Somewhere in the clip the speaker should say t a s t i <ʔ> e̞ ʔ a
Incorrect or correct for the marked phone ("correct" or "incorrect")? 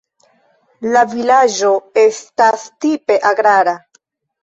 incorrect